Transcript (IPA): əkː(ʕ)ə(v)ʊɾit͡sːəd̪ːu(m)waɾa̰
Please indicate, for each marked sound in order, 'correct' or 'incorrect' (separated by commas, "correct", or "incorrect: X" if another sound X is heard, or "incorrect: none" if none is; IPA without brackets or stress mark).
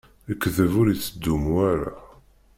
incorrect: ð, correct, correct